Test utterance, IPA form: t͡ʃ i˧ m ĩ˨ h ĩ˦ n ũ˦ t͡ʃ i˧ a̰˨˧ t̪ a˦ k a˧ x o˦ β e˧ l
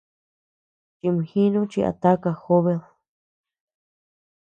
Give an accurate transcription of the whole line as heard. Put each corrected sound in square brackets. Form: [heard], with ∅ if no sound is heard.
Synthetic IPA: t͡ʃ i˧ m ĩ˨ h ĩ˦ n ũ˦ t͡ʃ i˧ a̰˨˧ t̪ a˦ k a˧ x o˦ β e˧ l